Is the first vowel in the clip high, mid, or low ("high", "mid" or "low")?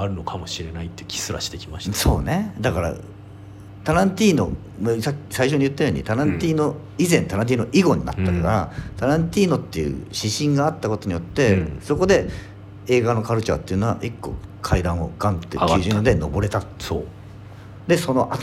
low